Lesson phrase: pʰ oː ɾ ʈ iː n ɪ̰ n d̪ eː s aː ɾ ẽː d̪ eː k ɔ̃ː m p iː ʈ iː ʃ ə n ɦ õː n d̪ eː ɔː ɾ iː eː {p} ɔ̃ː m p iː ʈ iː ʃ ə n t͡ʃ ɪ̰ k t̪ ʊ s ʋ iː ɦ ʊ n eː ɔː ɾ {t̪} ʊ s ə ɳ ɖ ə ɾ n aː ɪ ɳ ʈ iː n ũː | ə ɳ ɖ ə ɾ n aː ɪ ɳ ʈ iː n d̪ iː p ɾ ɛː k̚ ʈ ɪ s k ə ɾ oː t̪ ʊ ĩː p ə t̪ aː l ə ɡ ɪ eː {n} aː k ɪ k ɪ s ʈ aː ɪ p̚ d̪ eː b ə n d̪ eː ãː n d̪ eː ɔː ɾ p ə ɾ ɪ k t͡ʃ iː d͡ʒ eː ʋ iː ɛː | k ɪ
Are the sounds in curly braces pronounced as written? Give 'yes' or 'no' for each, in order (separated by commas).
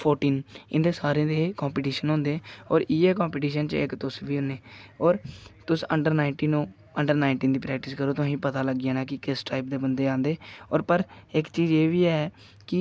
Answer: no, yes, yes